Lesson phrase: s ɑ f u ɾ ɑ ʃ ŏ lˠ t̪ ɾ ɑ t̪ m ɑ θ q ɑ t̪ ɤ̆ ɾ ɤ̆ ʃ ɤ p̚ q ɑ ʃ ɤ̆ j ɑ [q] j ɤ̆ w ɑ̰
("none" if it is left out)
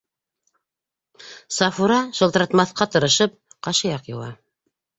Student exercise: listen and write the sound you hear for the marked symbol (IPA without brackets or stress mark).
q